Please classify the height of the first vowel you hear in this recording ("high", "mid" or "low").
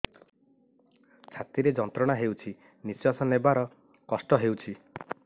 low